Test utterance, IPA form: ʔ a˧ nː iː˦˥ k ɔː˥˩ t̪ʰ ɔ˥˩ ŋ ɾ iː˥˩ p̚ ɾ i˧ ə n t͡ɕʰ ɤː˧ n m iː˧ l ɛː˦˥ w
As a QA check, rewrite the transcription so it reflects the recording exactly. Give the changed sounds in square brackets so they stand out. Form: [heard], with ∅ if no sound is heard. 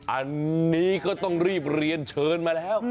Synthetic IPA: ʔ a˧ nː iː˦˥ k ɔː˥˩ [t̪] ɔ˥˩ ŋ ɾ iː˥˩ p̚ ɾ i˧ ə n t͡ɕʰ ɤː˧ n m [aː˧] l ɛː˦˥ w